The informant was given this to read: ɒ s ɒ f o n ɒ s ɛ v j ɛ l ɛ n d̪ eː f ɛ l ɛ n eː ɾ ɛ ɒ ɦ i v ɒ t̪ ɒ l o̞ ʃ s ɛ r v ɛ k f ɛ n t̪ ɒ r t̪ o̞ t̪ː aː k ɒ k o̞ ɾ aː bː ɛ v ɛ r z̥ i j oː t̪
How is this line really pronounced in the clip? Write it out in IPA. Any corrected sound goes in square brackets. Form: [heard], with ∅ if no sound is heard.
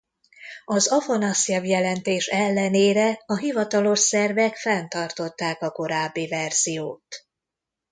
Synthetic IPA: ɒ [z] ɒ f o n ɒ s ɛ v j ɛ l ɛ n [t̪] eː [ʃ] ɛ [lː] ɛ n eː ɾ ɛ ɒ ɦ i v ɒ t̪ ɒ l o̞ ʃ s ɛ r v ɛ k f ɛ n t̪ ɒ r t̪ o̞ t̪ː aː k ɒ k o̞ ɾ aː bː [i] v ɛ r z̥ i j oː t̪